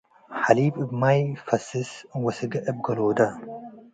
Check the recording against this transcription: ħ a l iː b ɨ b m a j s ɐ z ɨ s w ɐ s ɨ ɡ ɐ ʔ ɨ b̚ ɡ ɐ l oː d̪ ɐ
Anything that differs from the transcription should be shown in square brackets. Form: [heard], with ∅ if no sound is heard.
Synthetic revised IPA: ħ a l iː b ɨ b m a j [f] ɐ [s] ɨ s w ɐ s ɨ ɡ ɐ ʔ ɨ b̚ ɡ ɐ l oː d̪ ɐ